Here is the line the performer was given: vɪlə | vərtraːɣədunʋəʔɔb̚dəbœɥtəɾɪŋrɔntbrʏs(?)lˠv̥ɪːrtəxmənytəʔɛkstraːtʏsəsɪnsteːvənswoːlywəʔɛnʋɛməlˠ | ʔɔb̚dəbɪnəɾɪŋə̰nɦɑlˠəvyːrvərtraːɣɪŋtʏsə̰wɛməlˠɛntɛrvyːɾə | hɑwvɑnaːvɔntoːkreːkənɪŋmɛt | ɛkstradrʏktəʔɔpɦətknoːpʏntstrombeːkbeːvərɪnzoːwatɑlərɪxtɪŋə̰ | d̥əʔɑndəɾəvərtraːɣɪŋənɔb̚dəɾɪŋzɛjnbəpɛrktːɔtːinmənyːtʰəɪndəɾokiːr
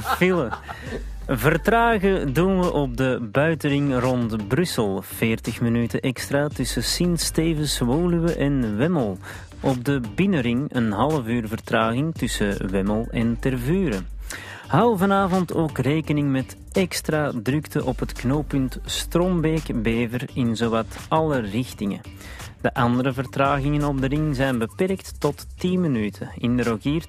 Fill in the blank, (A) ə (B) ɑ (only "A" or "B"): A